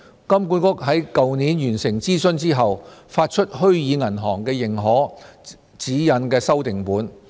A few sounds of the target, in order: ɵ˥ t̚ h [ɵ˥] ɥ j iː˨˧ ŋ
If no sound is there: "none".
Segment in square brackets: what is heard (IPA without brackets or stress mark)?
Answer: ɵ˥